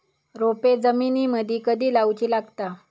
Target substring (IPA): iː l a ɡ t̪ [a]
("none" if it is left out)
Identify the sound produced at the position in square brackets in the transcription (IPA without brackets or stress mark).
a